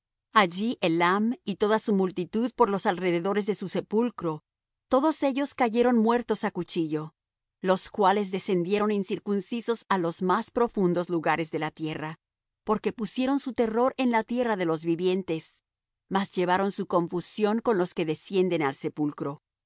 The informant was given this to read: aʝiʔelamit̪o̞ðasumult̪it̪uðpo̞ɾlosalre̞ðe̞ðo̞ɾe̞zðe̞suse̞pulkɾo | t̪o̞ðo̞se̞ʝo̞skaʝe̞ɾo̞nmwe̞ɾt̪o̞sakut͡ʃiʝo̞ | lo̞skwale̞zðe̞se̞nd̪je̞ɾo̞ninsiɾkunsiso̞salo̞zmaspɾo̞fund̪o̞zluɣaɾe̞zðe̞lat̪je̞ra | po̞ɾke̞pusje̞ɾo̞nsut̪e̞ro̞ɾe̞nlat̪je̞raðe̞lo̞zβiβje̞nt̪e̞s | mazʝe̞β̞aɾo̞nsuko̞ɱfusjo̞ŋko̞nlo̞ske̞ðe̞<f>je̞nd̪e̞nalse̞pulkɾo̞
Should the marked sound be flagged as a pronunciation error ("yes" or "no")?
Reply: yes